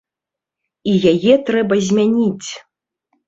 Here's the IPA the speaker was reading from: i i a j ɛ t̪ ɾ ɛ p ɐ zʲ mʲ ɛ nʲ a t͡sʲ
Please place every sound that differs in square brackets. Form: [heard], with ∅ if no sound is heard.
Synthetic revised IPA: i [j] a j ɛ t̪ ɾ ɛ [b] ɐ zʲ mʲ [a] nʲ [i] t͡sʲ